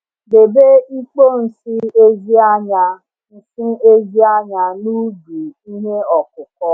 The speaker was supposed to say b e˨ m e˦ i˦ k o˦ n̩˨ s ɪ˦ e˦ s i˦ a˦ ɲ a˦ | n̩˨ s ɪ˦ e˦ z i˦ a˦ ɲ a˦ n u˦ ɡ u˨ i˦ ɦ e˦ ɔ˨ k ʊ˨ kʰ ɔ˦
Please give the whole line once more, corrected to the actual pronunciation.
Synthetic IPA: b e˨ b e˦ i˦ k͡p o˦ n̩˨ s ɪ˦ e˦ z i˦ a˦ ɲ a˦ | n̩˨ s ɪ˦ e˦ z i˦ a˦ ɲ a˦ n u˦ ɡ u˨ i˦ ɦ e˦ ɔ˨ k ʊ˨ k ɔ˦